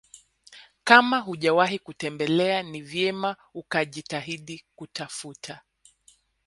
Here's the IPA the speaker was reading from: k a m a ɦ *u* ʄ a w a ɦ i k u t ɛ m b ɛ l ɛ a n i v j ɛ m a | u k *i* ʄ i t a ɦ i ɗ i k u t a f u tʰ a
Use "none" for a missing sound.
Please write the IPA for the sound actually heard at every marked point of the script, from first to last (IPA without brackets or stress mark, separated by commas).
u, a